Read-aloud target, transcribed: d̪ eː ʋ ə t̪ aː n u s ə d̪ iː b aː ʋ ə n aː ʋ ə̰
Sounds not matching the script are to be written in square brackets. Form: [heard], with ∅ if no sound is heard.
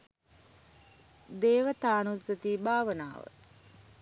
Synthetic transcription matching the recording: d̪ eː ʋ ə t̪ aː n u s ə [t̪] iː b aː ʋ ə n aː ʋ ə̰